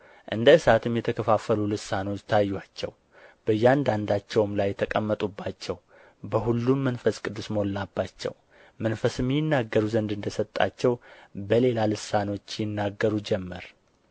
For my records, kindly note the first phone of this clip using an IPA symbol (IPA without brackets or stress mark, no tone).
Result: ʔ